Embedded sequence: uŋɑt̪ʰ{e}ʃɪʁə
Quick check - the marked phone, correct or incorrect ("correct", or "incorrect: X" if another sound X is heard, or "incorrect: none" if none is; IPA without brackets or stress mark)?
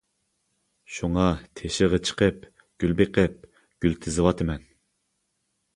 correct